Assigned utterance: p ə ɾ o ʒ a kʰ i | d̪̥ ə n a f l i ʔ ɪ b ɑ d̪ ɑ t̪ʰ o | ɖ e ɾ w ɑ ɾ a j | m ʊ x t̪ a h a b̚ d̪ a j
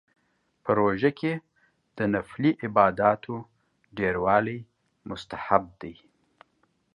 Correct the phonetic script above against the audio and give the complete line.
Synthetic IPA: p ə ɾ o ʒ a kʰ e | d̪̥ ə n a f l i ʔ ɪ b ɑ d̪ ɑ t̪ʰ o | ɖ e ɾ w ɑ l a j | m ʊ s t̪ a h a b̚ d̪ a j